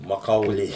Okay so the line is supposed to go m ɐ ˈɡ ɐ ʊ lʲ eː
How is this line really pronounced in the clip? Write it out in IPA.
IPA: m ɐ ˈk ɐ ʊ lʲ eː